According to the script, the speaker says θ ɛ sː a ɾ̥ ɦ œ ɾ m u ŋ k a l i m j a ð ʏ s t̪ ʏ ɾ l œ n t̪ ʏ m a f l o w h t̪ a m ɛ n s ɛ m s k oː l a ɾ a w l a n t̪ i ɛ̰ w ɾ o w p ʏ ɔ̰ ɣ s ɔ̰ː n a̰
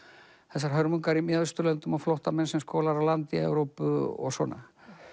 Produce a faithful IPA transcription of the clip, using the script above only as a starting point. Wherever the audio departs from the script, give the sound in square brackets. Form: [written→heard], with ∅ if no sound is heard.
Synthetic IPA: θ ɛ sː a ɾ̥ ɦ œ ɾ m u ŋ k a [l→ɾ] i m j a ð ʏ s t̪ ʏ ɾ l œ n t̪ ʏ m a f l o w h t̪ a m ɛ n s ɛ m s k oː l a ɾ a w l a n t̪ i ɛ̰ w ɾ o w p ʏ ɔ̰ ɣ s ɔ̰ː n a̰